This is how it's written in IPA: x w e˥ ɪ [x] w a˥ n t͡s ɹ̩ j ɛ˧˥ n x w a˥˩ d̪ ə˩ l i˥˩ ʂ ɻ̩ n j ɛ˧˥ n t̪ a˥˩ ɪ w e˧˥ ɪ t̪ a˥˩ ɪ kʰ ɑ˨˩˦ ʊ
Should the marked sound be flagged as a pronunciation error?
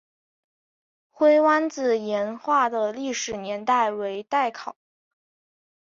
yes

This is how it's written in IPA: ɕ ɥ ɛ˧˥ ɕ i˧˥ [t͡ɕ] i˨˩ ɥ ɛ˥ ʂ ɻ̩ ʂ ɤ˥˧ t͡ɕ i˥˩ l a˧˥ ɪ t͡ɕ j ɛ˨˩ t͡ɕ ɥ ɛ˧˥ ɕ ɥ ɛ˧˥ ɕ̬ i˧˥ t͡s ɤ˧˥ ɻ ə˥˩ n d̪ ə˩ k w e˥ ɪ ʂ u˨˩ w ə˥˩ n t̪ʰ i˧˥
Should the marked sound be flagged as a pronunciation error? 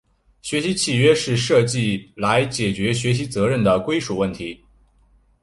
yes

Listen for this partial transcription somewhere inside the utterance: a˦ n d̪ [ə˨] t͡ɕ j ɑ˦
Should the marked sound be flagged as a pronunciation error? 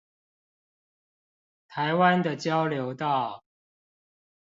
no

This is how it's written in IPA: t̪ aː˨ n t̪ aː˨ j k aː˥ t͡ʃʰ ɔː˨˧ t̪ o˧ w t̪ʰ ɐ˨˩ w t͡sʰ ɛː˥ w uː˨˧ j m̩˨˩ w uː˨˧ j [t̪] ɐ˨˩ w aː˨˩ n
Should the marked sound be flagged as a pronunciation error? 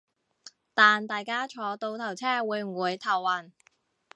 yes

